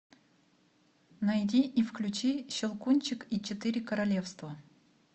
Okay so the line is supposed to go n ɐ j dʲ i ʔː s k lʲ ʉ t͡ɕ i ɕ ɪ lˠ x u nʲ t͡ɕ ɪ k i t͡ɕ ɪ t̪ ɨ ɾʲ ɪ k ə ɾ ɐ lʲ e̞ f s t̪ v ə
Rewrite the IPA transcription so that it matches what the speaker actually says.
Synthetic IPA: n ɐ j dʲ i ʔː f k lʲ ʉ t͡ɕ i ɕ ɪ lˠ k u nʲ t͡ɕ ɪ k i t͡ɕ ɪ t̪ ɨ ɾʲ ɪ k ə ɾ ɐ lʲ e̞ f s t̪ v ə

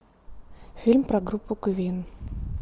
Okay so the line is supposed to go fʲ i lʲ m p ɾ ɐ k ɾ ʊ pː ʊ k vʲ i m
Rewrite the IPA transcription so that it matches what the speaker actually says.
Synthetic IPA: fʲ i lʲ m p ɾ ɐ ɡ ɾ u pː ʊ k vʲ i n

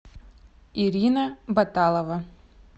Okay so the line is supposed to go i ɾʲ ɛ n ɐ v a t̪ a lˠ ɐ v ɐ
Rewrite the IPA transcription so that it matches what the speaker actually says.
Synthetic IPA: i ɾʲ i n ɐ b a t̪ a lˠ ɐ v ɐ

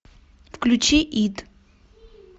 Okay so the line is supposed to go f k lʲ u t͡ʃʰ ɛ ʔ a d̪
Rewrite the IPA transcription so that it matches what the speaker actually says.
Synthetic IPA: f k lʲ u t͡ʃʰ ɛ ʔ i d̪

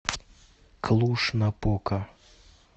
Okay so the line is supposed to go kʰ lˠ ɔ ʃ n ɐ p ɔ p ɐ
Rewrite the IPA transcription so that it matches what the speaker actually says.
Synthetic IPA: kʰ lˠ u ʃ n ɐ p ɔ k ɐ

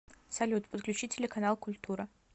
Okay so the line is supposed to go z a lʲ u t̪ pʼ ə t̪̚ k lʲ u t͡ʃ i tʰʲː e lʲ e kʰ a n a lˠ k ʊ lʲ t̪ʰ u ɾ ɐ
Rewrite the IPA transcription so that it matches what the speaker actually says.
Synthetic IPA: s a lʲ u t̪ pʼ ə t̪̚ k lʲ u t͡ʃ i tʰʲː e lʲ e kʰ a n a lˠ k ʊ lʲ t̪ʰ u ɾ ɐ

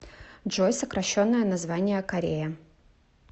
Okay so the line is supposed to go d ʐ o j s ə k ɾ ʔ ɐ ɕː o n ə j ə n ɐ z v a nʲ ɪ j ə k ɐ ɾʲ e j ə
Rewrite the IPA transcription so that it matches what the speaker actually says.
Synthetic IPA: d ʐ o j s ə k ɾ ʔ ɐ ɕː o nː ə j ə n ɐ z v a nʲ ɪ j ə k ɐ ɾʲ e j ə

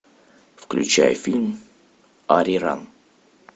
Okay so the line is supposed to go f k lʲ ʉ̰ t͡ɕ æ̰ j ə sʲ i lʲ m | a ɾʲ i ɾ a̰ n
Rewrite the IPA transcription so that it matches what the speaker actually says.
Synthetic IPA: f k lʲ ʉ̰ t͡ɕ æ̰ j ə fʲ i lʲ m | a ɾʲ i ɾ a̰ n

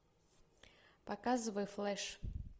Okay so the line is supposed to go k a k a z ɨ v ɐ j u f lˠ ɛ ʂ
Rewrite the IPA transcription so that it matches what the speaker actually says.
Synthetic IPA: p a k a z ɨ v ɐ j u f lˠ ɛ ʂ

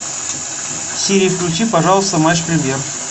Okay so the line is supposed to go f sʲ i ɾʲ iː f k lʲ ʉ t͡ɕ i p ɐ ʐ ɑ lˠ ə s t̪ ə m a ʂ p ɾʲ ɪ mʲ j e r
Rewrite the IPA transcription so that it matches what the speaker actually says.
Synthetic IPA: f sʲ i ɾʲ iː f k lʲ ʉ t͡ɕ i p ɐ ʐ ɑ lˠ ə s t̪ ə m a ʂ p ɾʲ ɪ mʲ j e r

